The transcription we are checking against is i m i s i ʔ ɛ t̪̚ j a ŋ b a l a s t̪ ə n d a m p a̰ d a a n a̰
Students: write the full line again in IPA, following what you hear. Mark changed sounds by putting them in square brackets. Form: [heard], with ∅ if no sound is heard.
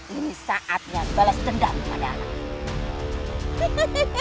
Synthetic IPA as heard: i [n] i s [a] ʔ [a] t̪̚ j a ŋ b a l a s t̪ ə n d a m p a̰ d a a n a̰